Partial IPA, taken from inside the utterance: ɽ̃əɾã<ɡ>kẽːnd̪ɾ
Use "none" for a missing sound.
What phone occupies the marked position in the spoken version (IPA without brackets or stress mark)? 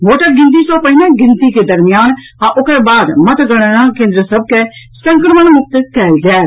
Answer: none